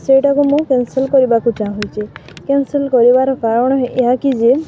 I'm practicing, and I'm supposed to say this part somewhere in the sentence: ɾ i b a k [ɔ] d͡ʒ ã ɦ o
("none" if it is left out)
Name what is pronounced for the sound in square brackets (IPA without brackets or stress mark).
u